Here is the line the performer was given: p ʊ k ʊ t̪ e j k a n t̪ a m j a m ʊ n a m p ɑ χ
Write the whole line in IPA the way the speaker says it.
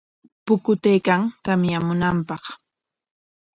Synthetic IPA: p ʊ k ʊ t̪ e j k a ŋ t̪ a m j a m ʊ n a m p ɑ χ